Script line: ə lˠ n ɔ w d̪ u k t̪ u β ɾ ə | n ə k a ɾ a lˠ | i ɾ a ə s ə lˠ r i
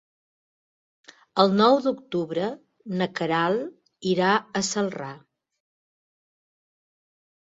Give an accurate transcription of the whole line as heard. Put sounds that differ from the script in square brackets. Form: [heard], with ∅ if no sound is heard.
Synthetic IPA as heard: ə lˠ n ɔ w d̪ u k t̪ u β ɾ ə | n ə k [ə] ɾ a lˠ | i ɾ a ə s ə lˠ r [a]